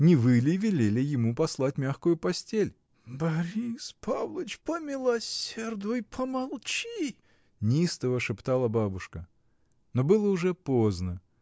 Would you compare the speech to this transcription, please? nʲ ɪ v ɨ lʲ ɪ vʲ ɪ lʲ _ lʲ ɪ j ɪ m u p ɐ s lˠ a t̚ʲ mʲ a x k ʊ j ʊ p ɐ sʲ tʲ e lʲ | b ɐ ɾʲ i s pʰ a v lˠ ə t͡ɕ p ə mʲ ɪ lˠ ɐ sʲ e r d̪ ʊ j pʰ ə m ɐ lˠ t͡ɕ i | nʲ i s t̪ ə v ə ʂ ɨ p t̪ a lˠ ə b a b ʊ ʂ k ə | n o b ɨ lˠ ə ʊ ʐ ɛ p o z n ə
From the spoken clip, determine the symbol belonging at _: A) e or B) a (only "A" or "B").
A